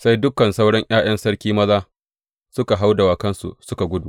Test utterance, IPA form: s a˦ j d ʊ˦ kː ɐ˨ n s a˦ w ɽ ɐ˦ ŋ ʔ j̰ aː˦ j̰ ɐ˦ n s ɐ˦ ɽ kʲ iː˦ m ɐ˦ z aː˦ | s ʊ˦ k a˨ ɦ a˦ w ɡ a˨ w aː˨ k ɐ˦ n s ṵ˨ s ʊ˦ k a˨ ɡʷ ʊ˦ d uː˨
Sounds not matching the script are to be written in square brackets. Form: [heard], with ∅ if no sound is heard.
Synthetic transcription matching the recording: s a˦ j d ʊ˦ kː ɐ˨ n s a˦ w ɽ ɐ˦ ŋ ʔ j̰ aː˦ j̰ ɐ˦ n s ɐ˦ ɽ kʲ iː˦ m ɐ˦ z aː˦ | s ʊ˦ k a˨ ɦ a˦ w [d] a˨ w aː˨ k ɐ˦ n s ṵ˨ s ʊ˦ k a˨ ɡʷ ʊ˦ d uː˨